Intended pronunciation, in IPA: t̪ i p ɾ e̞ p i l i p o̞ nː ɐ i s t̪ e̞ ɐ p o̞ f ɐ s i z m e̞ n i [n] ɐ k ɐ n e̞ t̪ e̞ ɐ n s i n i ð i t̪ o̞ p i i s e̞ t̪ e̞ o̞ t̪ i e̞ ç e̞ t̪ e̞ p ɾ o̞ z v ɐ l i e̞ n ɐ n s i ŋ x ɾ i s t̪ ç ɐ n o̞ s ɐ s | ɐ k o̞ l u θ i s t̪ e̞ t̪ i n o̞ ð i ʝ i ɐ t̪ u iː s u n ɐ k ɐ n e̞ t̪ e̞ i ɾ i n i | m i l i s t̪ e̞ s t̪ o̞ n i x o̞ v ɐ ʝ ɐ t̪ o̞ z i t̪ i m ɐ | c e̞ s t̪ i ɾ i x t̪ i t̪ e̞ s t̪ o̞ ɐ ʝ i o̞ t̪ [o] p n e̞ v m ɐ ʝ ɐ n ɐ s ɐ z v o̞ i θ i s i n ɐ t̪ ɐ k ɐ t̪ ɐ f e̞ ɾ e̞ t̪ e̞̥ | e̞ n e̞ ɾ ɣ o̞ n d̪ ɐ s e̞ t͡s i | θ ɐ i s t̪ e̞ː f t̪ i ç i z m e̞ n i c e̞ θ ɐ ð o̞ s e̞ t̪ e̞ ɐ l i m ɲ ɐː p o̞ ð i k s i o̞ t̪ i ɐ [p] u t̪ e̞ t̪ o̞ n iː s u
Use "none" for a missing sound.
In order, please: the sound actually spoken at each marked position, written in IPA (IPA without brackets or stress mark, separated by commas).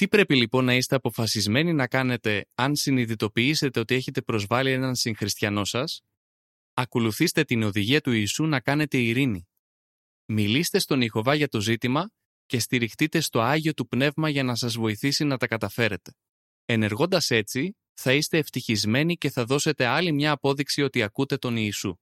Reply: n, u, k